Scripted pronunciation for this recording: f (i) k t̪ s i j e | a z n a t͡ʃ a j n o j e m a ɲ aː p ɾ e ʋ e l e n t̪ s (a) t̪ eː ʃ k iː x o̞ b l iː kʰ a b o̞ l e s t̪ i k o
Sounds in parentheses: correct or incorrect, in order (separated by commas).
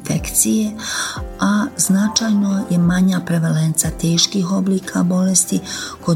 incorrect, correct